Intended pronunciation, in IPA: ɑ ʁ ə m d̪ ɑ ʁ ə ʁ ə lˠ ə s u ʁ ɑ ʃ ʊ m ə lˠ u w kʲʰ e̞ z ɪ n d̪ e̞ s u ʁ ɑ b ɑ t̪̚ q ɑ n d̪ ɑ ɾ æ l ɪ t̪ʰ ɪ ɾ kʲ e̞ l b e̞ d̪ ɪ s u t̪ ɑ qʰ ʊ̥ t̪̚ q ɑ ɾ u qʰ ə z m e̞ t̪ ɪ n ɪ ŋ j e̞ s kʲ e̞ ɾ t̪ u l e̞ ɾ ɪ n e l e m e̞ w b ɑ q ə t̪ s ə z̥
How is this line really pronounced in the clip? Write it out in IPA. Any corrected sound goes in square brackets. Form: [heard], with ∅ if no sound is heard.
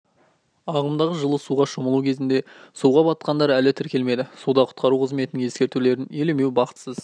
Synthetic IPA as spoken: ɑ ʁ ə m d̪ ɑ ʁ ə [ʒ] ə lˠ ə s u ʁ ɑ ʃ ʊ m ə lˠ u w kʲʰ e̞ z ɪ n d̪ e̞ s u ʁ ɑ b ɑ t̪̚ q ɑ n d̪ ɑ ɾ æ l ɪ t̪ʰ ɪ ɾ kʲ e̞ l [m] e̞ d̪ ɪ s u [d̪] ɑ qʰ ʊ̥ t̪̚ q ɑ ɾ u qʰ ə z m e̞ t̪ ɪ n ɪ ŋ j e̞ s kʲ e̞ ɾ t̪ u l e̞ ɾ ɪ n e l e m e̞ w b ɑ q ə t̪ s ə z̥